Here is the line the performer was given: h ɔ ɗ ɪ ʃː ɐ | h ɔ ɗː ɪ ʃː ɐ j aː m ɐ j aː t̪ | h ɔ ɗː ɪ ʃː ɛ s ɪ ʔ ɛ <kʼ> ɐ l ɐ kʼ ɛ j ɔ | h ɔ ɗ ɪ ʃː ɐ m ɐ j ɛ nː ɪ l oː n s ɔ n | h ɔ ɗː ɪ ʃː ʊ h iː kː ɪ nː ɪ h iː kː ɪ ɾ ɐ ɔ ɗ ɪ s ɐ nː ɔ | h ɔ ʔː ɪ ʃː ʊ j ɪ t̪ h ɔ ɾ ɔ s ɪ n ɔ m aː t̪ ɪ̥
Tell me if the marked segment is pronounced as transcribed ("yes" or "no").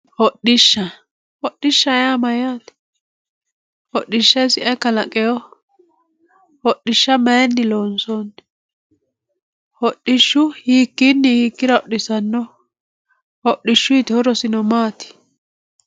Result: no